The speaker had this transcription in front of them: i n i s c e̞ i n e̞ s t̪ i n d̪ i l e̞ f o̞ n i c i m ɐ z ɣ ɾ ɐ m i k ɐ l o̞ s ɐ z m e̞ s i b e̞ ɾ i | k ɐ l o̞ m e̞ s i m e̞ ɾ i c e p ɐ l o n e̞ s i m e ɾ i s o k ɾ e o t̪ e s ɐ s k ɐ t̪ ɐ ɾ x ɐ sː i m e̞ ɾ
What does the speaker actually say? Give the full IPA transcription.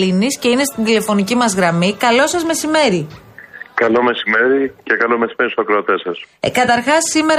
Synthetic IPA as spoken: i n i s c e̞ i n e̞ s t̪ i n d̪ i l e̞ f o̞ n i c i m ɐ z ɣ ɾ ɐ m i k ɐ l o̞ s ɐ z m e̞ s i m e̞ ɾ i | k ɐ l o̞ m e̞ s i m e̞ ɾ i c e k ɐ l o m e̞ s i m e ɾ i s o k ɾ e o t̪ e s ɐ s k ɐ t̪ ɐ ɾ x ɐ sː i m e̞ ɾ